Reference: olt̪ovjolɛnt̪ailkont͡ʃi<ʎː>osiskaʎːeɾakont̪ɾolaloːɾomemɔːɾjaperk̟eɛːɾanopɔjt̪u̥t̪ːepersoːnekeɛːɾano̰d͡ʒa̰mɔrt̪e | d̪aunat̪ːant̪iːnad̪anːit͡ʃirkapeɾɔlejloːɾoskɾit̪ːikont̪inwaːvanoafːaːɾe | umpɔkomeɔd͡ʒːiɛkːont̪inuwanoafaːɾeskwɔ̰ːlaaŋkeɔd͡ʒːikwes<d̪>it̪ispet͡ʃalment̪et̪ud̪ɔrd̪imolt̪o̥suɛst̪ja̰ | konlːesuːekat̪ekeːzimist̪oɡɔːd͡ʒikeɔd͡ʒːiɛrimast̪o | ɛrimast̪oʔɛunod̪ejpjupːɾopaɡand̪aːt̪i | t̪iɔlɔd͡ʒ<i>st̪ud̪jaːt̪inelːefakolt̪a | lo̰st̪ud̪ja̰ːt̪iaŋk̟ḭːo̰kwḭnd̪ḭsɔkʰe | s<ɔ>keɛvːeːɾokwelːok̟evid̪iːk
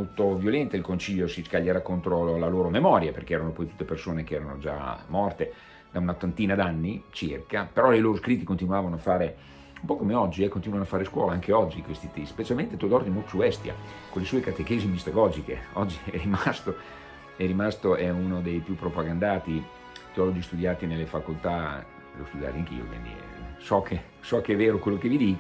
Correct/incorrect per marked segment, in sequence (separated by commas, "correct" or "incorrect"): correct, incorrect, correct, correct